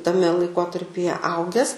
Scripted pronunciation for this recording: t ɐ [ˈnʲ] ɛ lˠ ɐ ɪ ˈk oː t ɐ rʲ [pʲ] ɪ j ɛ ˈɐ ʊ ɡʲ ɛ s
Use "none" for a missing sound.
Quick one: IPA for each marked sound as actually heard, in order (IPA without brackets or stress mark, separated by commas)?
mʲ, pʲ